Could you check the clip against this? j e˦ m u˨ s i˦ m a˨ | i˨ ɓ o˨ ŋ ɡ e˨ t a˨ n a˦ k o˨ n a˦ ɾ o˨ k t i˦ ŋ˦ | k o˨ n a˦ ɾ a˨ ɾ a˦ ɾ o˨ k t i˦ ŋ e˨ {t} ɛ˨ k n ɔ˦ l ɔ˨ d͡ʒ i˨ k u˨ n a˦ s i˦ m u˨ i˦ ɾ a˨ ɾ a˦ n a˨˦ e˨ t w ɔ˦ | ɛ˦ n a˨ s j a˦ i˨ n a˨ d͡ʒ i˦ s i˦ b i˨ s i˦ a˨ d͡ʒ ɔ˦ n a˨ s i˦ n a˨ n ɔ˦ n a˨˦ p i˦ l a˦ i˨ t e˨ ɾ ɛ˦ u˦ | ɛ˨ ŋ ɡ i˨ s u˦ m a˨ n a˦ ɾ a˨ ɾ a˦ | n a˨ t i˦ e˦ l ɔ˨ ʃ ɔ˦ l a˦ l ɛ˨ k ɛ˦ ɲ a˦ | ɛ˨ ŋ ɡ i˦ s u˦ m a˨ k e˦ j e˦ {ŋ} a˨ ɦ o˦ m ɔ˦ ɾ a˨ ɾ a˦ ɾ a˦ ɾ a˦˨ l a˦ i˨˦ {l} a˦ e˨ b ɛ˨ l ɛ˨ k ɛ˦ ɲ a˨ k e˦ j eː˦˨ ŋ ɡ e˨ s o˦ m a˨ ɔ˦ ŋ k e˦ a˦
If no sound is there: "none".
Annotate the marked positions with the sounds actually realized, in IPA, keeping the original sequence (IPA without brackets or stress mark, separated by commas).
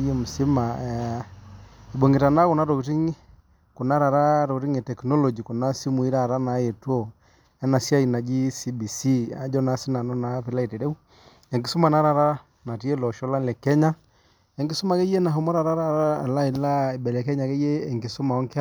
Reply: t, n, l